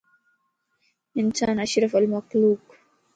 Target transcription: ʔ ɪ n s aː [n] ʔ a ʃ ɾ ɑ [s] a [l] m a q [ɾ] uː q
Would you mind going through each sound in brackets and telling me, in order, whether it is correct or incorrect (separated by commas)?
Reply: correct, incorrect, correct, incorrect